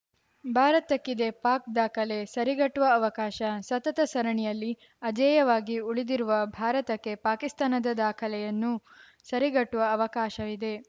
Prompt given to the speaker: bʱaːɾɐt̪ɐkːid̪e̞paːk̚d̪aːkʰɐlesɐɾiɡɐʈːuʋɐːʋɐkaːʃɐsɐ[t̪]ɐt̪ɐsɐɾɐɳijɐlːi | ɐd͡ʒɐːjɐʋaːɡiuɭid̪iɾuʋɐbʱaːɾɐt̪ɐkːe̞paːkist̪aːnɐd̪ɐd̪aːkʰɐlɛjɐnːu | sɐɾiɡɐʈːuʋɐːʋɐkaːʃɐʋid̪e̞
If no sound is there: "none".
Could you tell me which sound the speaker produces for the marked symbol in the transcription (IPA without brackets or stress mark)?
t̪